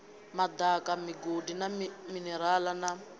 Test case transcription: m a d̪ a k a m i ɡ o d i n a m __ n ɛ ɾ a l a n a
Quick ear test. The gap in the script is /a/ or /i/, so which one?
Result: i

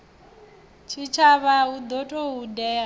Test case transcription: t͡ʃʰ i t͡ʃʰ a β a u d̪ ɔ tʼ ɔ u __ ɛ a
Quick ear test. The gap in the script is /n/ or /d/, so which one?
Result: d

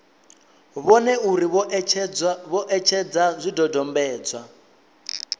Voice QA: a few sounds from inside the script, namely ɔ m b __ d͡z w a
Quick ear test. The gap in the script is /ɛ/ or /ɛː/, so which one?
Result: ɛː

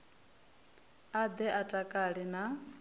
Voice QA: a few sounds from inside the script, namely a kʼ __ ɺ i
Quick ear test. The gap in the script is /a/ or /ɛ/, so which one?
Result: a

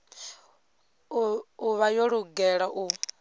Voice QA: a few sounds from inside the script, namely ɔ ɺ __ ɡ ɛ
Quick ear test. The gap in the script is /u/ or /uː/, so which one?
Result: u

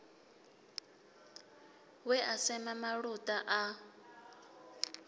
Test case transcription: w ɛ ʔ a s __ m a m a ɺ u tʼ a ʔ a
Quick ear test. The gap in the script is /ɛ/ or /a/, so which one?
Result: ɛ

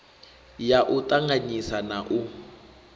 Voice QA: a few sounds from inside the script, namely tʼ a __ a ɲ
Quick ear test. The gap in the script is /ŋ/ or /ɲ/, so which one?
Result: ŋ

